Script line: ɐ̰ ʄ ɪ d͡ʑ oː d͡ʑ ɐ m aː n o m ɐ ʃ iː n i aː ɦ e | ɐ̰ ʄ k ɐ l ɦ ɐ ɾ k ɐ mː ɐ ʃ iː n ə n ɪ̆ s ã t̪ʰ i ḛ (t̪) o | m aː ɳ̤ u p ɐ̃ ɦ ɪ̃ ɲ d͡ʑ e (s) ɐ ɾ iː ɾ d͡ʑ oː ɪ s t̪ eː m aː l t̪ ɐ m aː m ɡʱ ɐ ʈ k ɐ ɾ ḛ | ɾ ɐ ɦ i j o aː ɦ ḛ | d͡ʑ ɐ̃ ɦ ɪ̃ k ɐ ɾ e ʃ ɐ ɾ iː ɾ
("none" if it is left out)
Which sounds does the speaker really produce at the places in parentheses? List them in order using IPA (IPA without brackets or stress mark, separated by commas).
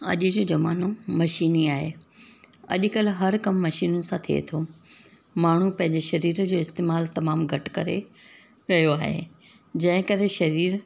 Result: t̪ʰ, ʃ